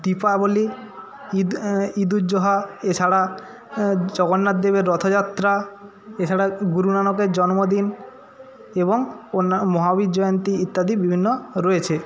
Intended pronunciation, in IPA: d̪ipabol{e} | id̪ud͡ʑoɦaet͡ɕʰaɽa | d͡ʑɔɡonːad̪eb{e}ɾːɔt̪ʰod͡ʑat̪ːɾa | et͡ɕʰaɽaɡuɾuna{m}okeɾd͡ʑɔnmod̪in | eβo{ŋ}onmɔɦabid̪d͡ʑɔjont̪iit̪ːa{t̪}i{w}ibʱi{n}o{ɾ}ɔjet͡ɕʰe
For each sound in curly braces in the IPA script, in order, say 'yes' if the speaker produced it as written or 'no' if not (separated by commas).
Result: no, yes, no, yes, no, no, no, yes